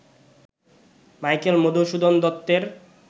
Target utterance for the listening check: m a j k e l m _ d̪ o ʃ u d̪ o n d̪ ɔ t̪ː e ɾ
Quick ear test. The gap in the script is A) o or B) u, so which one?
A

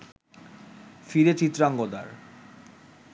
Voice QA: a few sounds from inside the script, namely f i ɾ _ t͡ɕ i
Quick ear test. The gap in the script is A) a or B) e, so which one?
B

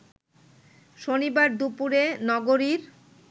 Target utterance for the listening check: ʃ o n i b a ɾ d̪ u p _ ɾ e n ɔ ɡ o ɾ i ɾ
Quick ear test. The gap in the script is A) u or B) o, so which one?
A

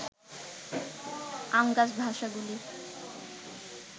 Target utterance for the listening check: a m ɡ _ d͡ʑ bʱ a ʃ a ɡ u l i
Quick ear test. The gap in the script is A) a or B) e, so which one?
A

